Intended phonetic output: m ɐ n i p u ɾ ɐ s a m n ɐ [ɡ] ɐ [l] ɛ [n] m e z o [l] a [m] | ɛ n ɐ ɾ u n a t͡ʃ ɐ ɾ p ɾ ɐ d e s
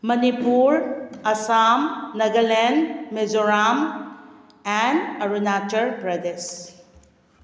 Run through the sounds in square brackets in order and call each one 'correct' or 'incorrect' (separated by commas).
correct, correct, correct, incorrect, correct